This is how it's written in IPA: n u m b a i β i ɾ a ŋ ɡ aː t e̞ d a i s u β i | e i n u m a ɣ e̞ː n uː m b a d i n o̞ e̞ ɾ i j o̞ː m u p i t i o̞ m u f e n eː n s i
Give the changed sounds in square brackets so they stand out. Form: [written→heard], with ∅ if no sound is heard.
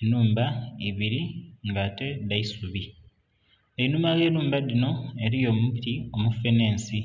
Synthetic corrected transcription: n [u→uː] m b a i β i ɾ [a→i] ŋ ɡ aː t e̞ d a i s u β i | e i n u m a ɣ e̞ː n uː m b a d i n o̞ e̞ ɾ i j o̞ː m u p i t i o̞ m u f e n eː n s i